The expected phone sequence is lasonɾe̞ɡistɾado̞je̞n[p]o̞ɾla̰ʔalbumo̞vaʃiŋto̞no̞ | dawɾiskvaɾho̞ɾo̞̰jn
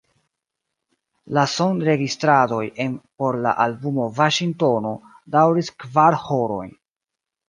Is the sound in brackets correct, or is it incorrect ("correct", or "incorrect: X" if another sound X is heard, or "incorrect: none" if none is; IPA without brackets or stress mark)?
correct